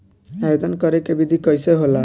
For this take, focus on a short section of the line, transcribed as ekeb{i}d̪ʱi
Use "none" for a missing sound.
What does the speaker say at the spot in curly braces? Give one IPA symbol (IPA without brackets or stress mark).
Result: i